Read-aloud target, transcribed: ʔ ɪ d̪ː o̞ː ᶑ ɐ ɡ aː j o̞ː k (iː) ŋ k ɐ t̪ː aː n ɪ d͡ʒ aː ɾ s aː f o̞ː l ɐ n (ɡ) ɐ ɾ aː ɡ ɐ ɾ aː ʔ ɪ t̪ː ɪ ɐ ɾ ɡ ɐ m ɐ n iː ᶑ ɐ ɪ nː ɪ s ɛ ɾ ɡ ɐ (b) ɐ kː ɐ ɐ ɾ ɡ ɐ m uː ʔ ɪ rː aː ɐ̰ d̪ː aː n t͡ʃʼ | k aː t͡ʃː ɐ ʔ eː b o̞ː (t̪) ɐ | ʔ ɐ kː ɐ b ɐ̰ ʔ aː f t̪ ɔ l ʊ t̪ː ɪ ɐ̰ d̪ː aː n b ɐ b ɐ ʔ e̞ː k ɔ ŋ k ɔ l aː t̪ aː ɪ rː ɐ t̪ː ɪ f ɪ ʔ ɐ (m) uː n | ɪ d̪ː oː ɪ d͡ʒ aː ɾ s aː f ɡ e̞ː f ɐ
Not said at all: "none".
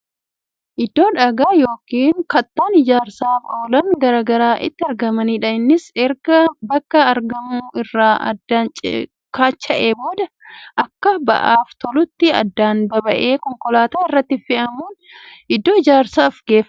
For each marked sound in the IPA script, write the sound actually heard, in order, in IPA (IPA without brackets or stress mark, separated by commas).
iː, ɡ, b, d̪, m